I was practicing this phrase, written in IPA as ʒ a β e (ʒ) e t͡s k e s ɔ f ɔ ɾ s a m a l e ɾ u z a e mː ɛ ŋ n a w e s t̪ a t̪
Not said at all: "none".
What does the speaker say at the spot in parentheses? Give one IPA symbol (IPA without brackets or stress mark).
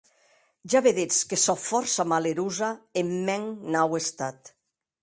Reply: ð